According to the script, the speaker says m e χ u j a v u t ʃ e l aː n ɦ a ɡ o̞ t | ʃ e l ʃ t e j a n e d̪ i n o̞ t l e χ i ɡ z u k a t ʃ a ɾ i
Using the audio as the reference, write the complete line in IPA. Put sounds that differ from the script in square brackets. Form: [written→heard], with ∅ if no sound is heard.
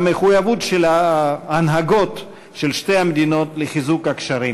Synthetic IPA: m e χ u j a v u t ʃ e l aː n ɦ a ɡ o̞ t | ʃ e l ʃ t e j a [n→m] e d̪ i n o̞ t l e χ i [ɡ→∅] z u k a [t→k] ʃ a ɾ i

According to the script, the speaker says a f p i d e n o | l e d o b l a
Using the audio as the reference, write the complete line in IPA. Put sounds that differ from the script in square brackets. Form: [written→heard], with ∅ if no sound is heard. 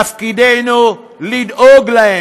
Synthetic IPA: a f [p→k] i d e n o | l [e→i] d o [b→ɡ] l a

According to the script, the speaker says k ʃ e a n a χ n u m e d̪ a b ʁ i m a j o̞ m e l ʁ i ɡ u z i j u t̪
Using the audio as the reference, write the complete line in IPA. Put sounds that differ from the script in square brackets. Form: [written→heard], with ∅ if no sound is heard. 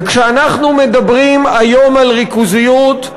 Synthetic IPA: k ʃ e a n a χ n u m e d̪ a b ʁ i m a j o̞ m [e→a] l ʁ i [ɡ→k] u z i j u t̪

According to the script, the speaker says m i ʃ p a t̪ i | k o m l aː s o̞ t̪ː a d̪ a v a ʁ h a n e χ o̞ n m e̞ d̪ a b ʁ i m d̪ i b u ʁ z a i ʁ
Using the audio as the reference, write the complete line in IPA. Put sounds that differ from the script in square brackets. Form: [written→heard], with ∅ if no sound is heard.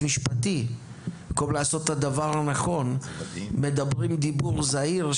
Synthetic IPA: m i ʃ p a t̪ i | k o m l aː s o̞ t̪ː a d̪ a v a ʁ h a n [e→a] χ o̞ n m e̞ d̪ a b ʁ i m d̪ i b u ʁ z a i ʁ

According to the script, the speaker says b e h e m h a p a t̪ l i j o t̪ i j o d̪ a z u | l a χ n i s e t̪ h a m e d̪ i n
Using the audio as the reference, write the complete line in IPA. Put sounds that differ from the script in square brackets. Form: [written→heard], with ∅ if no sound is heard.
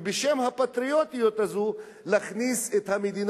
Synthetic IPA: b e [h→ʃ] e m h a p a t̪ [l→ɾ] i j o t̪ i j o [d̪→t̪] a z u | l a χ n i s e t̪ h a m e d̪ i n

